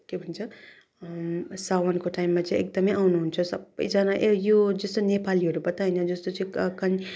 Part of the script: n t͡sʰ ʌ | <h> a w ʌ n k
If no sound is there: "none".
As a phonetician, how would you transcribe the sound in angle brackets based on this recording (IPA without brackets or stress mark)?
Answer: s